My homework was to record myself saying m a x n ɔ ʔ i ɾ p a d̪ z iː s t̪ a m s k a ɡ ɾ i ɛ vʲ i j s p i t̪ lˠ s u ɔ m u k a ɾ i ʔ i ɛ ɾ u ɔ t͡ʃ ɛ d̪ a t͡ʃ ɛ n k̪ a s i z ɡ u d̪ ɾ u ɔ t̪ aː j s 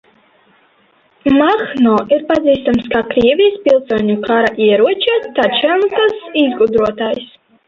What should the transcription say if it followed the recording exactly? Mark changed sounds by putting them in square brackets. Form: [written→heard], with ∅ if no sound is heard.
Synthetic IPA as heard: m a x n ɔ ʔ i ɾ p a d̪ z iː s t̪ a m s k a [ɡ→k] ɾ i ɛ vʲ i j s p i [t̪→∅] lˠ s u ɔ [m→ɲ] u k a ɾ [i→a] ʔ i ɛ ɾ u ɔ t͡ʃ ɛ [d̪→t̪] a t͡ʃ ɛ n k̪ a s i z ɡ u d̪ ɾ u ɔ t̪ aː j s